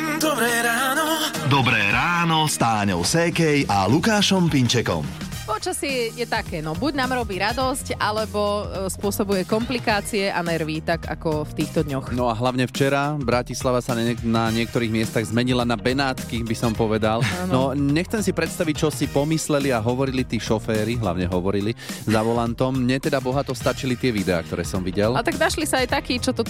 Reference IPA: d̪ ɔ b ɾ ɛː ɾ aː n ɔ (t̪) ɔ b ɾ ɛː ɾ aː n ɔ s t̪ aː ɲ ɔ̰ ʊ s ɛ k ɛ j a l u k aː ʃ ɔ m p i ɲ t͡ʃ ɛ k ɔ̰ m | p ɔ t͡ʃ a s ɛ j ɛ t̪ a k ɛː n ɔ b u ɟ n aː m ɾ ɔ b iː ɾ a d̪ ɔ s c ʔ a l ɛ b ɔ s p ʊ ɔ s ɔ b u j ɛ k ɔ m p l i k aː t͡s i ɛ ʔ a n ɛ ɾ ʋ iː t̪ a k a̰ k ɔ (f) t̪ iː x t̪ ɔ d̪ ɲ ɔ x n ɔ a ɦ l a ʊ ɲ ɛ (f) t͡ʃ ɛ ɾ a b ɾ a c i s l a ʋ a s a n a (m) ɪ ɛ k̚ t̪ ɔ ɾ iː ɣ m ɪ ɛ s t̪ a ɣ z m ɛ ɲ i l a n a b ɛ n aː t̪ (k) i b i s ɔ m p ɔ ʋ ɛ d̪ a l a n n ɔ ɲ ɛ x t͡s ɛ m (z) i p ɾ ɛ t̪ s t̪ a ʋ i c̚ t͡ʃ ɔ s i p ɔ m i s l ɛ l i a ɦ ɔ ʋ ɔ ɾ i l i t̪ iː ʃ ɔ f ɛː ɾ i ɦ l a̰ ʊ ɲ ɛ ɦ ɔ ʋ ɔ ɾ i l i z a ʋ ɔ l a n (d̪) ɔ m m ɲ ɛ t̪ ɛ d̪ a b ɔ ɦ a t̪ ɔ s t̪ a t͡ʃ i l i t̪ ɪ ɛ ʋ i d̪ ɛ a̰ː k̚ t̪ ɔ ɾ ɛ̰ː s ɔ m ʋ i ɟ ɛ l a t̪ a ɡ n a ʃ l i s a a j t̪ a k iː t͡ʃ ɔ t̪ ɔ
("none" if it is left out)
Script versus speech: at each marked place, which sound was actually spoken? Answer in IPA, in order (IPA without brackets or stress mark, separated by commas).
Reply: d̪, f, f, ɲ, k, s, t̪